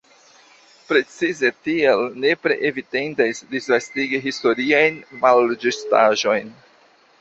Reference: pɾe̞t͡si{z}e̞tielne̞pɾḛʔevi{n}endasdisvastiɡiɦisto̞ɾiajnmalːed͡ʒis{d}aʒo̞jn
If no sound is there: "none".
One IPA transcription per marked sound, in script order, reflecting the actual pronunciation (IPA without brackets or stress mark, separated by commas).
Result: z, d, t